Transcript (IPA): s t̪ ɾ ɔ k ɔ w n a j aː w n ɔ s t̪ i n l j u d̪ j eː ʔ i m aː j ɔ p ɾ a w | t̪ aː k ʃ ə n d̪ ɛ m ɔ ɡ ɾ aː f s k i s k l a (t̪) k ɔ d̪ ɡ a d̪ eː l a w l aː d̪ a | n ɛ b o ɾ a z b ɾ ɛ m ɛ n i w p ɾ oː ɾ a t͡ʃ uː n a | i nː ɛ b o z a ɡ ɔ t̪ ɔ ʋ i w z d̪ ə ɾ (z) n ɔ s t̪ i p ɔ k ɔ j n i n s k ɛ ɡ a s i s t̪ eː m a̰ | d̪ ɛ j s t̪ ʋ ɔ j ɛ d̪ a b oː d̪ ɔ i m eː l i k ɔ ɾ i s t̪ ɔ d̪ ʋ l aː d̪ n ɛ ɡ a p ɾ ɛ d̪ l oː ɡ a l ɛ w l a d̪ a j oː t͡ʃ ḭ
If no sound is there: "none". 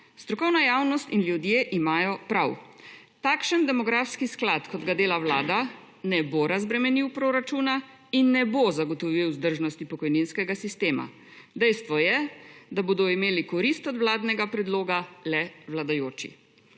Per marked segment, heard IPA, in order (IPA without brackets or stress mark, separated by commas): t̪, ʒ